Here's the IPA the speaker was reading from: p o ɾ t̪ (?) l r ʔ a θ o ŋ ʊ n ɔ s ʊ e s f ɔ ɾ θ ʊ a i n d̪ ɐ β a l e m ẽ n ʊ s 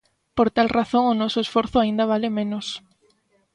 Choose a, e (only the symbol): a